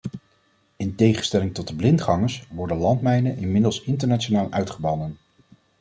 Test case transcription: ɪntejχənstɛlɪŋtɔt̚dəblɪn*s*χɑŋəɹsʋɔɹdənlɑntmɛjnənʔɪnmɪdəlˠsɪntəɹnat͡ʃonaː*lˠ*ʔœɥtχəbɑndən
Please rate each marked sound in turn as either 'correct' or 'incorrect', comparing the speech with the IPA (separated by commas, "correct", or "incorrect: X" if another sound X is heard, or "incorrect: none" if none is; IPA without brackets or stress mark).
incorrect: t, correct